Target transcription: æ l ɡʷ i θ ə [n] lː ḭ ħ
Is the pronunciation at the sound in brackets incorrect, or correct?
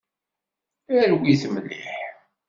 incorrect